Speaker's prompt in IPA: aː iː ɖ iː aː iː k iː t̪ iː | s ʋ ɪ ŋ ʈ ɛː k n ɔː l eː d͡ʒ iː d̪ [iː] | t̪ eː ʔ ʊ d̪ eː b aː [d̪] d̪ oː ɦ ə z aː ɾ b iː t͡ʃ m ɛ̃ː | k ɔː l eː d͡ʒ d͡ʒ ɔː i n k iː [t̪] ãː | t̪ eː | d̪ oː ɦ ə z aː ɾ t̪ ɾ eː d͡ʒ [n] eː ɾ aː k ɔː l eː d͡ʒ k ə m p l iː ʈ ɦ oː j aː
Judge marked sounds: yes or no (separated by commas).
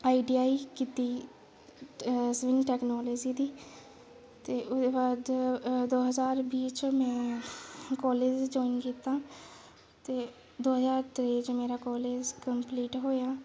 yes, yes, yes, no